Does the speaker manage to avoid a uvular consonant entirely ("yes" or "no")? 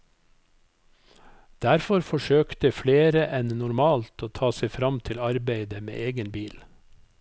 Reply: yes